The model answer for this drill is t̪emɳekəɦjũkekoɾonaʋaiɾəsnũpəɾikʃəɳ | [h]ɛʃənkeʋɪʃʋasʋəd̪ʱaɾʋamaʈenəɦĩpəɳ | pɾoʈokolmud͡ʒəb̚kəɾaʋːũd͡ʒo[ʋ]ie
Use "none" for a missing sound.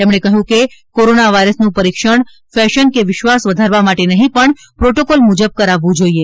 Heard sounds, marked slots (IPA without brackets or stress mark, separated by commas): f, none